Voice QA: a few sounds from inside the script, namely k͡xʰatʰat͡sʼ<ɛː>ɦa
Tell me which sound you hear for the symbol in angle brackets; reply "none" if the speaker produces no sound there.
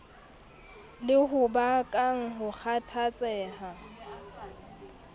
ɛː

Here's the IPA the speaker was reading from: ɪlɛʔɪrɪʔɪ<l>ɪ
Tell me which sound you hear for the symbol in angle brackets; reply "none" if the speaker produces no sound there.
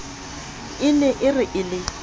l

